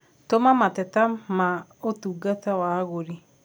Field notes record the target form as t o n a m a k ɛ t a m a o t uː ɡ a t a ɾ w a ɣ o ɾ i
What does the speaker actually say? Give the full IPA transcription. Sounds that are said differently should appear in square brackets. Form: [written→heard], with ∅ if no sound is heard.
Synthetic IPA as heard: t o [n→m] a m a [k→t] ɛ t a m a o t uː ɡ a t a [ɾ→∅] w a ɣ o ɾ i